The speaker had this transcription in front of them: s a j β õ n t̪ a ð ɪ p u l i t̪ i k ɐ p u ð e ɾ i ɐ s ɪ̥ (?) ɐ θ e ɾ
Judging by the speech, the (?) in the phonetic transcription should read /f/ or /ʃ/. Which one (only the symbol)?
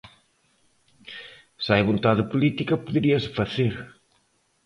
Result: f